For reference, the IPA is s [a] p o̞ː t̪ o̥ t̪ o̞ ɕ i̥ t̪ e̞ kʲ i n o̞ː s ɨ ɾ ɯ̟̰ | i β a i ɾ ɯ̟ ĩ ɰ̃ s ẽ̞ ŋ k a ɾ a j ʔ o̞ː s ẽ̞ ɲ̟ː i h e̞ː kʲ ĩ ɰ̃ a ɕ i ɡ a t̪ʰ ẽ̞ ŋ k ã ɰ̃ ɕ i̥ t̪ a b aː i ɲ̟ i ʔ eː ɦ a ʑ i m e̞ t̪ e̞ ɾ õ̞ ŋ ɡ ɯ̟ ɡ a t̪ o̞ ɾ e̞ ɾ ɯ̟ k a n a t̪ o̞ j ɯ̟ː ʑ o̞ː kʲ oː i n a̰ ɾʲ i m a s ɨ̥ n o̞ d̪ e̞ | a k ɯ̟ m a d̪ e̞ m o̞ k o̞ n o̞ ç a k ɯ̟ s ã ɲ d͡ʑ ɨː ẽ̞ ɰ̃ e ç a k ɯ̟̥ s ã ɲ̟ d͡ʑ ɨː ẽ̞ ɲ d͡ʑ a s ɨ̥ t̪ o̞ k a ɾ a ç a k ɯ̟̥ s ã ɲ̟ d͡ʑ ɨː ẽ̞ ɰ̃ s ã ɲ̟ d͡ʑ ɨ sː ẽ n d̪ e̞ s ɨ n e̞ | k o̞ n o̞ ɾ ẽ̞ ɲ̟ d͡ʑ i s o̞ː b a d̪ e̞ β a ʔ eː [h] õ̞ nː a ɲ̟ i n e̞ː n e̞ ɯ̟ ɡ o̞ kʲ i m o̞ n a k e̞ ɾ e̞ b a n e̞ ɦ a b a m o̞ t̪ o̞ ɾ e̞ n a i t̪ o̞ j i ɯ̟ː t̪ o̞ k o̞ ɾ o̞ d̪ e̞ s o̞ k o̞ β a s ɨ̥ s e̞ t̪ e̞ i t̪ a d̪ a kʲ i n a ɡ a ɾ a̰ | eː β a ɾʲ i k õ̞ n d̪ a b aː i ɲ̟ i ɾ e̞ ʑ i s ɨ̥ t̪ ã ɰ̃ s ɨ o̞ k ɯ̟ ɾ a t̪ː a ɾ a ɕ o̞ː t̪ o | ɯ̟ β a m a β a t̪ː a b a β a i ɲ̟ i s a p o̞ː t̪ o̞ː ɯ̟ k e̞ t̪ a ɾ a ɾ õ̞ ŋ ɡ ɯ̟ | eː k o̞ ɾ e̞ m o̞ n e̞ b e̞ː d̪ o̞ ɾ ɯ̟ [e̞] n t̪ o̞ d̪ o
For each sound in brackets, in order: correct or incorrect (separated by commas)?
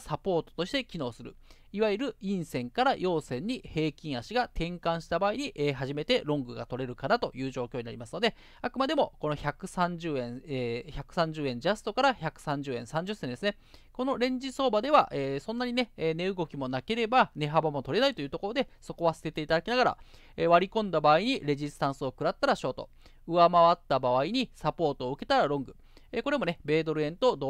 correct, incorrect, incorrect